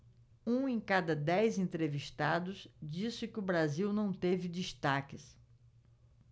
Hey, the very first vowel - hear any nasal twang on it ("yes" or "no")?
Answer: yes